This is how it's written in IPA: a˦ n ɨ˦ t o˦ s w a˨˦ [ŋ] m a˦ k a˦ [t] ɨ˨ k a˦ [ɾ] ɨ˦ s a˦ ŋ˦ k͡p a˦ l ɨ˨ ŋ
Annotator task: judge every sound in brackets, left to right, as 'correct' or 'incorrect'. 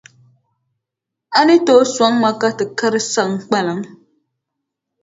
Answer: correct, correct, correct

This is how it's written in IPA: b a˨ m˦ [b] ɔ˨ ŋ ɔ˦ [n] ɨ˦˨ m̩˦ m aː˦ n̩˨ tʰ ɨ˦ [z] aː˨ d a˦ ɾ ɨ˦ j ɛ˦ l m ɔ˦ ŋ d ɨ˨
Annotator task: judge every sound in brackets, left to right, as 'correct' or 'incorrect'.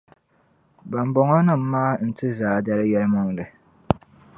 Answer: correct, correct, correct

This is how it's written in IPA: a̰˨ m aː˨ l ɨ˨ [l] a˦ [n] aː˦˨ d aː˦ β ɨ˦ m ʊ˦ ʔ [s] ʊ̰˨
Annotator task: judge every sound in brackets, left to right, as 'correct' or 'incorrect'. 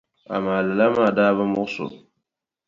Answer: correct, incorrect, correct

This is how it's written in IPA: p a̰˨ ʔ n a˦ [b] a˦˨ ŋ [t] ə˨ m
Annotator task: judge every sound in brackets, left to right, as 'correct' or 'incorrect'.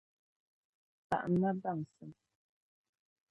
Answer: correct, incorrect

